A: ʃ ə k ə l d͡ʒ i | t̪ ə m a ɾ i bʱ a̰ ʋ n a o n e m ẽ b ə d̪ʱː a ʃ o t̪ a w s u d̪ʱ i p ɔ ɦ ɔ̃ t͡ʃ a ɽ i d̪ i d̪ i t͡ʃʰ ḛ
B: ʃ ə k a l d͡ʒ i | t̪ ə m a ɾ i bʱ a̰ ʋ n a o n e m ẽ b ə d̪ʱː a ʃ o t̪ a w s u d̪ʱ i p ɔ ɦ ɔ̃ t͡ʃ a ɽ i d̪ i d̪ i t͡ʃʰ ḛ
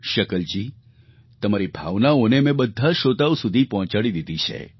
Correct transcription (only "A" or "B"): A